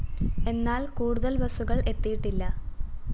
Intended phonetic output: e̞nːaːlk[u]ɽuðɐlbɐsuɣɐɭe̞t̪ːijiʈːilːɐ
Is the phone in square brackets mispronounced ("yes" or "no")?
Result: yes